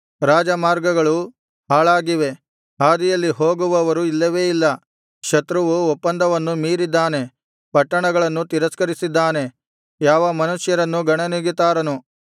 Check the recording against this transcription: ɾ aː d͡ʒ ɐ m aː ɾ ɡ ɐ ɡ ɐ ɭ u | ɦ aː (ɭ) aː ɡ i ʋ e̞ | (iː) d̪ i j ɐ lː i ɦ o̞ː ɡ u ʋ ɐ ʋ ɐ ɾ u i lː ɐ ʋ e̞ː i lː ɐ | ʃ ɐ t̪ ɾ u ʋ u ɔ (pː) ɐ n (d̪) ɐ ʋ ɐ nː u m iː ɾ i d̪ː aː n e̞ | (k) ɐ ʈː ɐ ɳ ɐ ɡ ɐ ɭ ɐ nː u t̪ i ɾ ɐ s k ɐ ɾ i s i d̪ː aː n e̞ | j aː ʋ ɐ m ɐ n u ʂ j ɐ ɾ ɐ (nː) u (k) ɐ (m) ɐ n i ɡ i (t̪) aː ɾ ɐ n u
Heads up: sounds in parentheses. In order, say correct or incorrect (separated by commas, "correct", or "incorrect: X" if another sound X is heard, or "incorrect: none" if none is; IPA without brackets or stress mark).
correct, incorrect: aː, correct, correct, incorrect: p, correct, incorrect: ɡ, incorrect: ɳ, correct